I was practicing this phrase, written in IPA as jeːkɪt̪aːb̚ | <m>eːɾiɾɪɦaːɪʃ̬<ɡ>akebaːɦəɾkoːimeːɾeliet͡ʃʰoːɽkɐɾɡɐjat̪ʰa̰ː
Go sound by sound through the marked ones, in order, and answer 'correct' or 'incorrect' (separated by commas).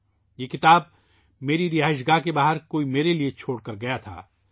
correct, correct